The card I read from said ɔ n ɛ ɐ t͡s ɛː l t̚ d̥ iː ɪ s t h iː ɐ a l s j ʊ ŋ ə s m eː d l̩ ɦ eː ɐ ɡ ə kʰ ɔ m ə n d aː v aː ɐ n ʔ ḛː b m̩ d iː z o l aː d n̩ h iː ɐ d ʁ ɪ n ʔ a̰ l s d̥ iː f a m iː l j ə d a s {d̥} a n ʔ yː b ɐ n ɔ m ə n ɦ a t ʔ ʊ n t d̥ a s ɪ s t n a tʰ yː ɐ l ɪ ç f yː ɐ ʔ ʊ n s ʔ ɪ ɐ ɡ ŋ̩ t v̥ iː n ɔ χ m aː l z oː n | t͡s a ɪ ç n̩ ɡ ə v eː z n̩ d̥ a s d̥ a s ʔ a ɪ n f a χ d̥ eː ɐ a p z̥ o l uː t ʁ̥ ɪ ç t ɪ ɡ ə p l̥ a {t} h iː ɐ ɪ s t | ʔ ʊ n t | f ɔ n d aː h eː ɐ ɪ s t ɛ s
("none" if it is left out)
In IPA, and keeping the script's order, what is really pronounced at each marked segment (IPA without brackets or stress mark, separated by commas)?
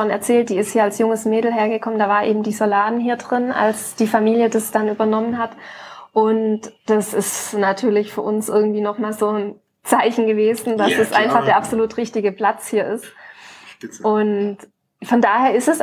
d̥, t͡s